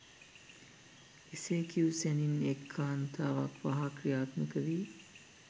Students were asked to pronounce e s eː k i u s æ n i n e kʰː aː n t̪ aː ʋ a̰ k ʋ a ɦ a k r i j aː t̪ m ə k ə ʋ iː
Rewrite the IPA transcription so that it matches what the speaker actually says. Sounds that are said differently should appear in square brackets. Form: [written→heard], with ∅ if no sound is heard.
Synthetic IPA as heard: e s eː k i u s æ n i n e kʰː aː n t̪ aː ʋ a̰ k ʋ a ɦ a k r i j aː t̪ m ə k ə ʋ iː